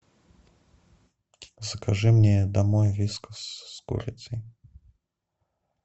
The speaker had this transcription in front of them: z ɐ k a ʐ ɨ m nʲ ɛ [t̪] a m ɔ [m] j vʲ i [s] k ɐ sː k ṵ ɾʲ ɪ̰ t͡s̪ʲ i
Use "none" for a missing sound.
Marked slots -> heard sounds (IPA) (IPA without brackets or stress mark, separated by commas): d̪, none, s